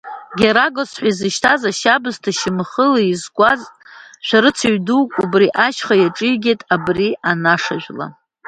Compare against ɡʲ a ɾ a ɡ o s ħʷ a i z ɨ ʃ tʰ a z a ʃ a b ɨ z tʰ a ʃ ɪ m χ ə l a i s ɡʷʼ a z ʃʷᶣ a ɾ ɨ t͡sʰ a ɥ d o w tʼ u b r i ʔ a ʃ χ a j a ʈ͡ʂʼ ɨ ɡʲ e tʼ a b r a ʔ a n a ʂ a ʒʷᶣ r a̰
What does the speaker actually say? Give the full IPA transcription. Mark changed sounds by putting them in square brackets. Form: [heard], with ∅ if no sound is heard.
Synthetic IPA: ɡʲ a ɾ a ɡ o s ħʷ a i z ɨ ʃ tʰ a z a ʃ a b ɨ z tʰ a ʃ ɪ m χ ə l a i [z] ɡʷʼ a z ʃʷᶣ a ɾ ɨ t͡sʰ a ɥ d [u] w [kʼ] u b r i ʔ a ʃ χ a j a ʈ͡ʂʼ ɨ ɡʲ e tʼ a b r [i] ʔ a n a ʂ a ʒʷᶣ [l] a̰